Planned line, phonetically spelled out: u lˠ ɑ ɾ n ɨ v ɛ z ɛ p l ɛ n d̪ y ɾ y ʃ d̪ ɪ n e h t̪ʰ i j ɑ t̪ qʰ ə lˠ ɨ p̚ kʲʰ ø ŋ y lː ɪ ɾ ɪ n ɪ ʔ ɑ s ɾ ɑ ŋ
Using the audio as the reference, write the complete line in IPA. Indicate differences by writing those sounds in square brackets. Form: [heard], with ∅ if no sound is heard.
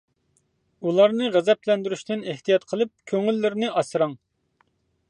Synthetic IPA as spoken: u lˠ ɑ ɾ n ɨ [ʁ] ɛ z ɛ p l ɛ n d̪ y ɾ y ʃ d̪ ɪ n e h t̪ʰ i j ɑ t̪ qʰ ə lˠ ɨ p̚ kʲʰ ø ŋ y lː ɪ ɾ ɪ n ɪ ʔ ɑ s ɾ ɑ ŋ